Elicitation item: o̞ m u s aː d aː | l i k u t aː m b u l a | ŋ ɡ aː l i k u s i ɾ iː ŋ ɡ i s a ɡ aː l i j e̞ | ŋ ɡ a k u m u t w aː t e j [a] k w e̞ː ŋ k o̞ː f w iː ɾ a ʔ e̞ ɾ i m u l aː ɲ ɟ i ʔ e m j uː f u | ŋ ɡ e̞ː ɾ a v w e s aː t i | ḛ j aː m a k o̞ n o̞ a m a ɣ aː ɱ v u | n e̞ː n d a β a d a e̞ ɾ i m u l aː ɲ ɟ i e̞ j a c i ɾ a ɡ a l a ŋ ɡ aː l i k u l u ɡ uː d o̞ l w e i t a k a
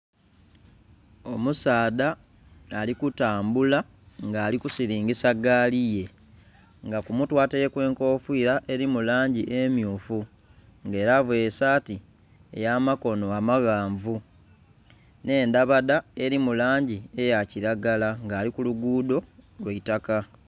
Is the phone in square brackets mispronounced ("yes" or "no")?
yes